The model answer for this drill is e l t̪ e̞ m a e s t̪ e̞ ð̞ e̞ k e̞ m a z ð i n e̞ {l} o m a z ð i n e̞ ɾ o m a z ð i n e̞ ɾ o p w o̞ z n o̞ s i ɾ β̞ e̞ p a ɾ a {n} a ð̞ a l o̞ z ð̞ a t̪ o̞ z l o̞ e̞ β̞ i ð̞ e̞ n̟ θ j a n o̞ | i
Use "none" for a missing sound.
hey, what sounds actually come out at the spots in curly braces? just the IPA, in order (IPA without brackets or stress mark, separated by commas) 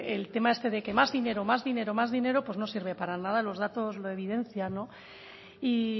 ɾ, n